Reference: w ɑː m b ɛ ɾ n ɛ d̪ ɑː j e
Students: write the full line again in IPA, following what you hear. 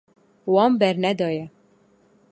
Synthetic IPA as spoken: w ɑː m b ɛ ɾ n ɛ d̪ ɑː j ɛ